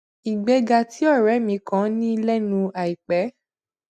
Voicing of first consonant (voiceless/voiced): voiced